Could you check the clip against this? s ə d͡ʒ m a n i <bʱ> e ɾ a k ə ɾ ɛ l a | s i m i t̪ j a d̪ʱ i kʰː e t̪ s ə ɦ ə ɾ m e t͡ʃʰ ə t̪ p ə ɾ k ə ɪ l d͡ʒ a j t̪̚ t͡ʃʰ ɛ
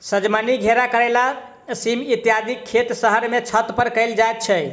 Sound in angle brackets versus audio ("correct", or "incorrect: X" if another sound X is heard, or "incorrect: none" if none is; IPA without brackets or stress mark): incorrect: ɡʱ